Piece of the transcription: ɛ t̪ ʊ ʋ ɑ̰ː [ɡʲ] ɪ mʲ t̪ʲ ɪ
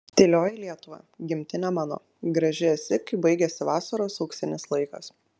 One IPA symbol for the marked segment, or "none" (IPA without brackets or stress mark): ɡʲ